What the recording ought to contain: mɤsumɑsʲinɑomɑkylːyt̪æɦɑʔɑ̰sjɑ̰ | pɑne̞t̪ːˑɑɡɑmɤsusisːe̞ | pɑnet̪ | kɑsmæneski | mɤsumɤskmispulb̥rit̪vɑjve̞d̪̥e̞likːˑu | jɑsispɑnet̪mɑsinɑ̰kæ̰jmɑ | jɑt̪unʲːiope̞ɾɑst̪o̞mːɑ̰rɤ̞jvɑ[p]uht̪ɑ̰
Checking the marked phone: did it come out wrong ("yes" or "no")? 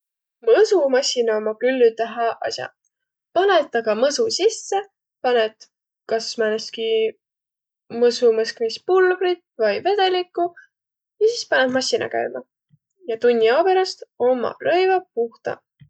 no